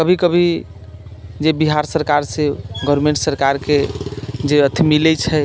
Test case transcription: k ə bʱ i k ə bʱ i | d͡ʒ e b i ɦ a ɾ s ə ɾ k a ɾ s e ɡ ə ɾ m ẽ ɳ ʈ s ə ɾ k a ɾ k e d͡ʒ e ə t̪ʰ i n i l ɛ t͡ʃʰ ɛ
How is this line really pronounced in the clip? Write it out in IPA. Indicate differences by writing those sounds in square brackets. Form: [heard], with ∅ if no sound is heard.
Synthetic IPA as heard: k ə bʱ i k ə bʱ i | d͡ʒ e b i ɦ a ɾ s ə ɾ k a ɾ s e ɡ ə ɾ m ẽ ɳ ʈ s ə ɾ k a ɾ k e d͡ʒ e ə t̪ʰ i [m] i l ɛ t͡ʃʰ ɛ